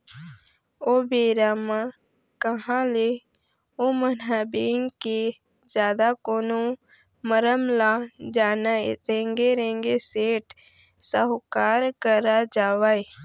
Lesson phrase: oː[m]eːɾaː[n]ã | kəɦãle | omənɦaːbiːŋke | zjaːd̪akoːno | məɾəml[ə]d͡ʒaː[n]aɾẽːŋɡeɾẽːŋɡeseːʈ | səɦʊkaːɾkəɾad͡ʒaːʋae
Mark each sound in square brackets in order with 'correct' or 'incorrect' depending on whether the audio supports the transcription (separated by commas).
incorrect, incorrect, incorrect, correct